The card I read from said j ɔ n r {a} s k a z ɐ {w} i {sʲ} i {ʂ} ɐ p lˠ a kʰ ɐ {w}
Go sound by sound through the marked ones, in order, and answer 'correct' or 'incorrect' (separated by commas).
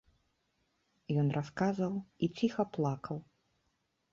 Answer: correct, correct, incorrect, incorrect, correct